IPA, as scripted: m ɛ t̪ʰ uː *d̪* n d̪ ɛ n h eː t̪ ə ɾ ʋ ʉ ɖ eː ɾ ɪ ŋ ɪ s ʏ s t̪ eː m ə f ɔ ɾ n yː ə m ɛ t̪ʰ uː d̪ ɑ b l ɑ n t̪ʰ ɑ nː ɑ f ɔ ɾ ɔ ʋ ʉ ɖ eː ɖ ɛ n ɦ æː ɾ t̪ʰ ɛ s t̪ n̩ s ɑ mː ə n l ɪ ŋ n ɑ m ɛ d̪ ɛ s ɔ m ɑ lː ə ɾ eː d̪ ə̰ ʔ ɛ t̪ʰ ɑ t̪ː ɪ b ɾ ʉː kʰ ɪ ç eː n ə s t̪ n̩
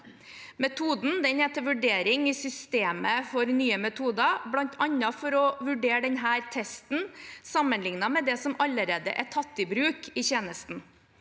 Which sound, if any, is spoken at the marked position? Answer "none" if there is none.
d̪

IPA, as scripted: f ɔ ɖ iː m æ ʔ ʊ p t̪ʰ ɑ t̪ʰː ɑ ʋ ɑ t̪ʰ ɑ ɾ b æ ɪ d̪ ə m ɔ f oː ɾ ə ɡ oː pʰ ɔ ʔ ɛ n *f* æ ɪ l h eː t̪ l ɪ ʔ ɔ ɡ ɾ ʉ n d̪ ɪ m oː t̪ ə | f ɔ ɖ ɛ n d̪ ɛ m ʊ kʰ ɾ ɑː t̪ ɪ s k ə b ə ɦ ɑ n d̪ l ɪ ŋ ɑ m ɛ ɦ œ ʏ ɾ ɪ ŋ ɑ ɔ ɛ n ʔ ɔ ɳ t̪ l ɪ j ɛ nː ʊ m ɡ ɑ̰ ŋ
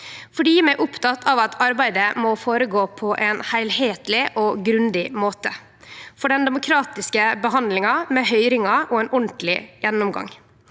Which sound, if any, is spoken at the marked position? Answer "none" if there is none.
h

